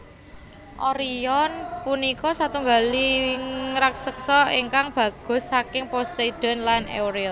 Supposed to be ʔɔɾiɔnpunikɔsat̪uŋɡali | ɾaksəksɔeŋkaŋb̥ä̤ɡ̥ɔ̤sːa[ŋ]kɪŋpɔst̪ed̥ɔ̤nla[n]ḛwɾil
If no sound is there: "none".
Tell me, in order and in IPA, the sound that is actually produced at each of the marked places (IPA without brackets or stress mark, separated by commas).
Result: none, n